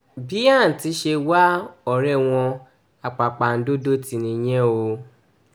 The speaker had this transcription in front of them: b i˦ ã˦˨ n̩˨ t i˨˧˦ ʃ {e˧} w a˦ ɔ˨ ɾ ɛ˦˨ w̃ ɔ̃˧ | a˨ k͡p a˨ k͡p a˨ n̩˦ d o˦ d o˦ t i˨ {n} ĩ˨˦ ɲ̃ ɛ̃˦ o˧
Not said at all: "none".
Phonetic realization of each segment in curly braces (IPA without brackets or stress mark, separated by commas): e˧, n